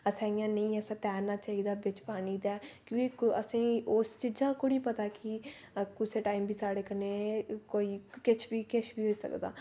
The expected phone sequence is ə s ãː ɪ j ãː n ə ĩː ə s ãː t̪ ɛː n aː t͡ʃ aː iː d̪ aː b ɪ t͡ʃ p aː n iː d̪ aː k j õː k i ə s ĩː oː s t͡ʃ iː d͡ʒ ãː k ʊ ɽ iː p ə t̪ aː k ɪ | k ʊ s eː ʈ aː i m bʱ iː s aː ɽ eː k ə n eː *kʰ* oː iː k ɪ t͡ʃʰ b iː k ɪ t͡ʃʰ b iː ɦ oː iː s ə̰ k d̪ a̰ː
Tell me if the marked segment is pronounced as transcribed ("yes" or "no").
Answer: no